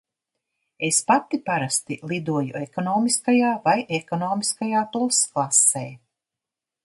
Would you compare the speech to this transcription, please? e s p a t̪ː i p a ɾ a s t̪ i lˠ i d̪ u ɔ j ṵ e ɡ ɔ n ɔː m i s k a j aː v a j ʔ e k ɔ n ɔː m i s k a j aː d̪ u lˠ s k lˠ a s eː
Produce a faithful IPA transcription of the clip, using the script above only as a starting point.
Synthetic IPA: e s p a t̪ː i p a ɾ a s t̪ i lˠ i d̪ u ɔ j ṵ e k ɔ n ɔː m i s k a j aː v a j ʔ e k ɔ n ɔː m i s k a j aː t̪ u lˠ s k lˠ a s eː